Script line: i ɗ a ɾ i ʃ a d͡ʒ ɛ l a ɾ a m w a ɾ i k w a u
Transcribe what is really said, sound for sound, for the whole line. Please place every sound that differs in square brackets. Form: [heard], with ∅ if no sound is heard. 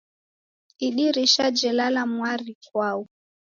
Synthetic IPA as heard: i ɗ [i] ɾ i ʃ a d͡ʒ ɛ l a [l] a m w a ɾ i k w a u